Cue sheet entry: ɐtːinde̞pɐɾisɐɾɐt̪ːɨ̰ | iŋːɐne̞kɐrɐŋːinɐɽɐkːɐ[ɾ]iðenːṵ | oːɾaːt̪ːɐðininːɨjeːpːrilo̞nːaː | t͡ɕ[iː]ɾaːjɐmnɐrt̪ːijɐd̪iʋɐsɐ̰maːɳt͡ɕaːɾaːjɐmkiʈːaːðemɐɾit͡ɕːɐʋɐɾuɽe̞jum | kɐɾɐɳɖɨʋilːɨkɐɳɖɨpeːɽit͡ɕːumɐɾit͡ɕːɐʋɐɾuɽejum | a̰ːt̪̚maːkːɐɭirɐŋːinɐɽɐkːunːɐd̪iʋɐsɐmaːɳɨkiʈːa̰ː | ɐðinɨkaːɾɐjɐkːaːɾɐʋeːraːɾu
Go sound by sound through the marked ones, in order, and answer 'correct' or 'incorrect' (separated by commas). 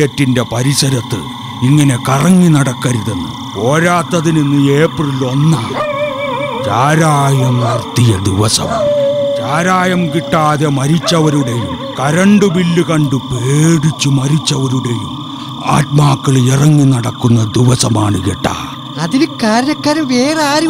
correct, incorrect